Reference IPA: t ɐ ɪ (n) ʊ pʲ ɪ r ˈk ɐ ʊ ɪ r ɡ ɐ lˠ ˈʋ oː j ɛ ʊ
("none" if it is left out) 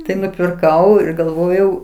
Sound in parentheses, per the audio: n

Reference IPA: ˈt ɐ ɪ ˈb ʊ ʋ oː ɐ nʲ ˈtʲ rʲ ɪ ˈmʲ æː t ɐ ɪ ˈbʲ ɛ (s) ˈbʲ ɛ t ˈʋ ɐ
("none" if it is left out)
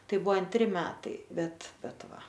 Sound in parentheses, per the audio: t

